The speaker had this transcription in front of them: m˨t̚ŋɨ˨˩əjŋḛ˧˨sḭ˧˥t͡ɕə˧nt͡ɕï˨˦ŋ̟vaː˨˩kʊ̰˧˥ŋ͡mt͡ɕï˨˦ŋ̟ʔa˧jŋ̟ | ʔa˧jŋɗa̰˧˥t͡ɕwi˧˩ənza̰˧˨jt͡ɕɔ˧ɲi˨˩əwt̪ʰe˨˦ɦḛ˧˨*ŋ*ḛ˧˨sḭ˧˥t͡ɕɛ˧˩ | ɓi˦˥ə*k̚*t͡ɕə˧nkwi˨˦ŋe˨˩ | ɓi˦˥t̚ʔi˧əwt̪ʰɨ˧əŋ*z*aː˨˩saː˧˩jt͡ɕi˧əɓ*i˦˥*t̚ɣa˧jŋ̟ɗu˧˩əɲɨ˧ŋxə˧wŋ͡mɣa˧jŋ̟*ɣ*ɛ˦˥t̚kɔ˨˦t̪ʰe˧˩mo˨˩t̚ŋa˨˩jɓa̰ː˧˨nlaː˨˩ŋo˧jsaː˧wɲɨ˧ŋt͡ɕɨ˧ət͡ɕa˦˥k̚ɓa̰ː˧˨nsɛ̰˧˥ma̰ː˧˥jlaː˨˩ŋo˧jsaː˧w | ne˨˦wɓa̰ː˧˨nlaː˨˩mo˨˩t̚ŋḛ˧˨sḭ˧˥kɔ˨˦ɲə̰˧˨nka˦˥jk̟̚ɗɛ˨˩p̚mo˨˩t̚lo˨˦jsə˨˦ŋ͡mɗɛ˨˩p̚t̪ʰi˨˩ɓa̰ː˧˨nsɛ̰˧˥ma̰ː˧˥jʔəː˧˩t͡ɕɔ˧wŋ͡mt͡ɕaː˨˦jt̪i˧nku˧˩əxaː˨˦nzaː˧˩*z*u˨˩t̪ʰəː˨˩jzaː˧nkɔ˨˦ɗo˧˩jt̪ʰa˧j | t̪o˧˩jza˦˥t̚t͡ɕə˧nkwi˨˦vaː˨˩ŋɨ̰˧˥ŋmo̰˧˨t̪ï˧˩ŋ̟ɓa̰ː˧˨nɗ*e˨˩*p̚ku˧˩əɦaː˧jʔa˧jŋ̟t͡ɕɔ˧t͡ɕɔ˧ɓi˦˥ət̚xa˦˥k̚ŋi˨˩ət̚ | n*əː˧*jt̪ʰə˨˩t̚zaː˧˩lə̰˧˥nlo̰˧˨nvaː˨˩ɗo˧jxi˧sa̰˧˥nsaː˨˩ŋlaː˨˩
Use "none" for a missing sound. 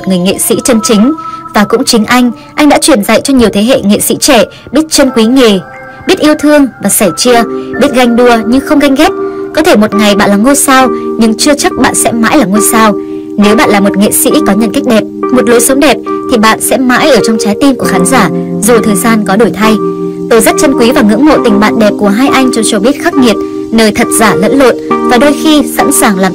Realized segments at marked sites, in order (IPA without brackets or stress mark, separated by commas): ŋ, t̚, v, i˦˥, ɣ, z, ɛ˨˩, əː˧